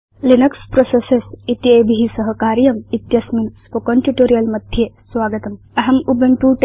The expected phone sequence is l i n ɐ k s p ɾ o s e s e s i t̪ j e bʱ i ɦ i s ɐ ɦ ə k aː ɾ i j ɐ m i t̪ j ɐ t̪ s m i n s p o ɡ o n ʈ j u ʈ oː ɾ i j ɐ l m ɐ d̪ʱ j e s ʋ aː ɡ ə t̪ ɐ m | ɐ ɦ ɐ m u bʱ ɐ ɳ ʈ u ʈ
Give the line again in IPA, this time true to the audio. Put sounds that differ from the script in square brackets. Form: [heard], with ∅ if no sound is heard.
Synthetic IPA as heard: l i n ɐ k s p ɾ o s e s e s i t̪ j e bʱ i ɦ i s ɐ ɦ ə k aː ɾ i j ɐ m i t̪ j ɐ [∅] s m i n s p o [k] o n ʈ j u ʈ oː ɾ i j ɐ l m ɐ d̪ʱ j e s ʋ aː ɡ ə t̪ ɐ m | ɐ ɦ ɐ m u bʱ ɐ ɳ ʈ u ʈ